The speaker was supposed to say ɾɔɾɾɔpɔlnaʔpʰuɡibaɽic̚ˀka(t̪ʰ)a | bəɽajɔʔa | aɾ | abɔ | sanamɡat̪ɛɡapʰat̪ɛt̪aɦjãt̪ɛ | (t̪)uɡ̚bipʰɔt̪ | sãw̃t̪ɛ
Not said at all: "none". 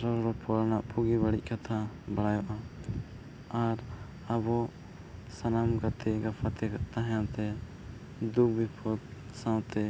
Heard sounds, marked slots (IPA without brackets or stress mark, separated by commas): t̪ʰ, d̪